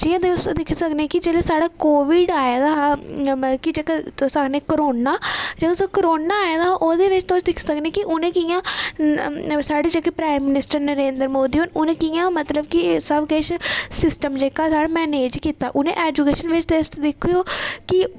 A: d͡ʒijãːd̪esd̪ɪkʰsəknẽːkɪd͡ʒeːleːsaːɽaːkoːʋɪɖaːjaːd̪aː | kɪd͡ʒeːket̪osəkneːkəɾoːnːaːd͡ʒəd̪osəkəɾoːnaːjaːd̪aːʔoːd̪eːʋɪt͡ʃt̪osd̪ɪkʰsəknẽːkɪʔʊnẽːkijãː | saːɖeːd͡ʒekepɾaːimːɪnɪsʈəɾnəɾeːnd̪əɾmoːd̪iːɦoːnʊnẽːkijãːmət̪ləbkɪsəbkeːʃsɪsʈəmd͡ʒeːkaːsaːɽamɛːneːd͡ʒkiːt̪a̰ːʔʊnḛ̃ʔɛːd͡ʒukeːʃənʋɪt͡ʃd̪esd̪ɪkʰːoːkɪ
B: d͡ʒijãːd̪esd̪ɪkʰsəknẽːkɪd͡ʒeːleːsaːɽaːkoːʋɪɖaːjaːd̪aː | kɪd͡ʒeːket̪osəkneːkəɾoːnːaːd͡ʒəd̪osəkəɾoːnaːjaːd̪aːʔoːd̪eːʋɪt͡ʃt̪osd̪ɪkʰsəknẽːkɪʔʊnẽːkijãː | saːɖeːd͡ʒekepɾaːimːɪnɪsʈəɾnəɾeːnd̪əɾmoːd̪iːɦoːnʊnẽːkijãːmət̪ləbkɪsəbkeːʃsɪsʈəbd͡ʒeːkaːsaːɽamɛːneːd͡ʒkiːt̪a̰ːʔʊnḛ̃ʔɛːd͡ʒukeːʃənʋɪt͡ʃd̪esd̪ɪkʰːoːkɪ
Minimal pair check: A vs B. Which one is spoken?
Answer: A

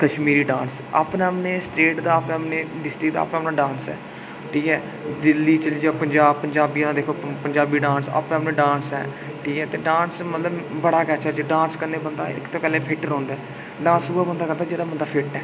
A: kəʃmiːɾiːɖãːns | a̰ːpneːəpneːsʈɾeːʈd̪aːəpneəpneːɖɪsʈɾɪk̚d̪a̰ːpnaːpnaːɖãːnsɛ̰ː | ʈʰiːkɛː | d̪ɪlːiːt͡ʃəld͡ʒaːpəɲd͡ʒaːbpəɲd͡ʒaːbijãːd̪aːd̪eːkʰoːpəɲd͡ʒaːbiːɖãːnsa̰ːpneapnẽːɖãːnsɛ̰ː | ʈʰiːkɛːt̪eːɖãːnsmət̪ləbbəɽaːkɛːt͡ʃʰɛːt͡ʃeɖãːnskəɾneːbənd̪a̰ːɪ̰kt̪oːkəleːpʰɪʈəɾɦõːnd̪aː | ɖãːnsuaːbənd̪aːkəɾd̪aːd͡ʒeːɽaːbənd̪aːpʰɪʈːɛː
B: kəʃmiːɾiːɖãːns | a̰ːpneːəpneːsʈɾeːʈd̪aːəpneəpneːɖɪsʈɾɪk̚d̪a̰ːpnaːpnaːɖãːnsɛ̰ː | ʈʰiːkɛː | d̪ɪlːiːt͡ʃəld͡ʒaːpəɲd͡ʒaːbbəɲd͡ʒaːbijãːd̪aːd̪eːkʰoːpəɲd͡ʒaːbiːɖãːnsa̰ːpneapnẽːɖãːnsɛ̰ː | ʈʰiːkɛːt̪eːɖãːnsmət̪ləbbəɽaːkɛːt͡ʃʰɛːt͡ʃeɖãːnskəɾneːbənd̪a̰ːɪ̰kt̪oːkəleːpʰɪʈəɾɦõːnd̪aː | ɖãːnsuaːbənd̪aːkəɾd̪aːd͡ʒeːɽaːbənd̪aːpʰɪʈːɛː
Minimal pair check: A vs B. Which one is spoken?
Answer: A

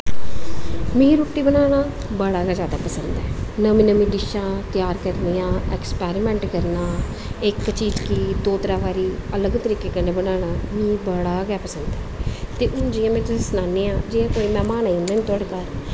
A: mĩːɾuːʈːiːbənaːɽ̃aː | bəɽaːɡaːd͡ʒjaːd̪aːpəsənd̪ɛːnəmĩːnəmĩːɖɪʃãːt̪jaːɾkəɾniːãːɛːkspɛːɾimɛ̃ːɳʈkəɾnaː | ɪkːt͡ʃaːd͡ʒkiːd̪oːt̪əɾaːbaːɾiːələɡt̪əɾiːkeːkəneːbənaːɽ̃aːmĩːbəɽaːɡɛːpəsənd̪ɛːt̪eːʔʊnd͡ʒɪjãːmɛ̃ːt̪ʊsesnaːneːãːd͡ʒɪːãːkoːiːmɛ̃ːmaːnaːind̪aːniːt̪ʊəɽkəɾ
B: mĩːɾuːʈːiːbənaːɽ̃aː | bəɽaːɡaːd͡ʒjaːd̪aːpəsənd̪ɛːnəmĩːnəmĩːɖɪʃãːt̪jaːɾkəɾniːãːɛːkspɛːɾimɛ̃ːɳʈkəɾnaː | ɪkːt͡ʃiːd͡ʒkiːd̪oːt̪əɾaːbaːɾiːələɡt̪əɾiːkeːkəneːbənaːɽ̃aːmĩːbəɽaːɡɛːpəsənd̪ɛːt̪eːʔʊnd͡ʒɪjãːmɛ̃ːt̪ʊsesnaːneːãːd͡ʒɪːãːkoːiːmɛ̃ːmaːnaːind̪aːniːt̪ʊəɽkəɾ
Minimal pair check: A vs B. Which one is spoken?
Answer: B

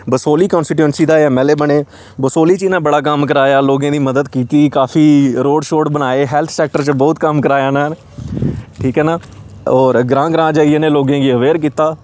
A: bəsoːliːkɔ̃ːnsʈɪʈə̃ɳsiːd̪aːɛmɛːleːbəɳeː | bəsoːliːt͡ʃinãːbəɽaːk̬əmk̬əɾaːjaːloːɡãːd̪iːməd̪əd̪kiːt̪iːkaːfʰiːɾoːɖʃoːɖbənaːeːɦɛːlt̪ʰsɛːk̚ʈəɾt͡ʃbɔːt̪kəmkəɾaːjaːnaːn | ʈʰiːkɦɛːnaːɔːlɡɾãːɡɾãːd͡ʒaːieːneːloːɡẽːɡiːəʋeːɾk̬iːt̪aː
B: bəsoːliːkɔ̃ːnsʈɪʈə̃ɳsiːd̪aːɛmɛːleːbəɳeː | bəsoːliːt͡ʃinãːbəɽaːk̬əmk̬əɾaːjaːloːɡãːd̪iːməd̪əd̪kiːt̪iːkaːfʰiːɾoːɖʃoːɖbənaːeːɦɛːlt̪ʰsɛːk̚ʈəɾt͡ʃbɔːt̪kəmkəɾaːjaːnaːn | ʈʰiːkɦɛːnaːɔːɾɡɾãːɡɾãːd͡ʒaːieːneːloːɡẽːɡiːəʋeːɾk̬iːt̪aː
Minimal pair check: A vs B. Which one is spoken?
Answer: B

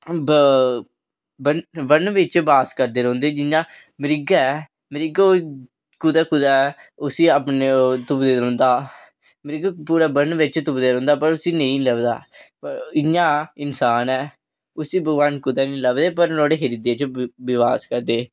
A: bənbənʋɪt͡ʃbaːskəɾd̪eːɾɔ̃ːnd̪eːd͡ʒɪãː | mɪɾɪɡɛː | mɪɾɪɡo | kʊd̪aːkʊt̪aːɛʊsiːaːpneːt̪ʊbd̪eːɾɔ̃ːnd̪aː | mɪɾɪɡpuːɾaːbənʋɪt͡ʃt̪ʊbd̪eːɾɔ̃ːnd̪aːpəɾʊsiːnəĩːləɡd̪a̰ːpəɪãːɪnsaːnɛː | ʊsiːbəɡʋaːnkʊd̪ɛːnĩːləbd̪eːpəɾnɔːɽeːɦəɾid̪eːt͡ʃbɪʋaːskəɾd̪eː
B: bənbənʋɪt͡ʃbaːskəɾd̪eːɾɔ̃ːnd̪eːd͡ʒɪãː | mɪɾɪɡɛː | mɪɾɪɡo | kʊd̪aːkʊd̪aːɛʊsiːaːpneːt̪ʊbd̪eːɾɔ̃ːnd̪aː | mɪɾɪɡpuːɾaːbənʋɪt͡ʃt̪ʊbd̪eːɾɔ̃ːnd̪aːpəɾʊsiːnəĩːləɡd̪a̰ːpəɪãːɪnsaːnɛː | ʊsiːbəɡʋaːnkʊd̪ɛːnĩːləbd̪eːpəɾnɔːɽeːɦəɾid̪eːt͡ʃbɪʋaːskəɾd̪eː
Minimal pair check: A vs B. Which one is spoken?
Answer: B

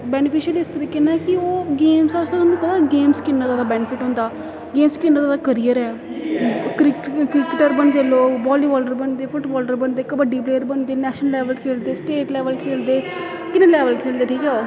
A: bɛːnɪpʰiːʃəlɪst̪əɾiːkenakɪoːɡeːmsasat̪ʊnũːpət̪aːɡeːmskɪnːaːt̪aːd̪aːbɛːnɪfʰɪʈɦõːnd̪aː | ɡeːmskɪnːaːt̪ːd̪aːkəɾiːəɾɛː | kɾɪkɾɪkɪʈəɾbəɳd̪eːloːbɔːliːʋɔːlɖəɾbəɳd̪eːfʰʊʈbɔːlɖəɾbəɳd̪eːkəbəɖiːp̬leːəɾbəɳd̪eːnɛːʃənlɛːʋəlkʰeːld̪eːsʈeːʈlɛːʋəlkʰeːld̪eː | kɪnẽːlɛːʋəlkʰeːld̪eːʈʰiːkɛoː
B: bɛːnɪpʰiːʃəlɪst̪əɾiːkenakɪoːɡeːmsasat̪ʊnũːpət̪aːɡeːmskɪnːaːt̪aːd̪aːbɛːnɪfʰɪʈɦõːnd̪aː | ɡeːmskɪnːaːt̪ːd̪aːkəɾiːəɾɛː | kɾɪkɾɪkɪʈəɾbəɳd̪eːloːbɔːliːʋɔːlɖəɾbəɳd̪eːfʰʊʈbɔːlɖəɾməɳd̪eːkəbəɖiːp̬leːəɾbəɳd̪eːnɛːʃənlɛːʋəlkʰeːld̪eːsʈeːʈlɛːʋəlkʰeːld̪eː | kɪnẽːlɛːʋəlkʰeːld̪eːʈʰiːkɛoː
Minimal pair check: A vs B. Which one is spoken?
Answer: A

